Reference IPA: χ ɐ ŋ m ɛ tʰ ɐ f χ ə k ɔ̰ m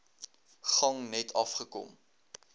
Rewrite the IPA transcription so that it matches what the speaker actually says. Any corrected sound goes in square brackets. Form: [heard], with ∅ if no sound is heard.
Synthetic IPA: χ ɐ ŋ [n] ɛ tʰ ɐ f χ ə k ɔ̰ m